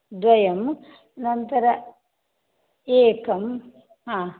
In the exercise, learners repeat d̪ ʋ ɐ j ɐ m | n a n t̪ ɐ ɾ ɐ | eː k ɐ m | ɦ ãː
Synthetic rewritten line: d̪ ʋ ɐ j ɐ m | n ɐ n t̪ ɐ ɾ ɐ | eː k ɐ m | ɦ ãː